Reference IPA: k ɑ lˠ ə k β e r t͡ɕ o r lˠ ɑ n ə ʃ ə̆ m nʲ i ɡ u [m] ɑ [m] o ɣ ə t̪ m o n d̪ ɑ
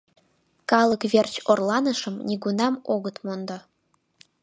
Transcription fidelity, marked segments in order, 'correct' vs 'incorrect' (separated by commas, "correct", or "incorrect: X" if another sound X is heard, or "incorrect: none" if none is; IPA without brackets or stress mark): incorrect: n, correct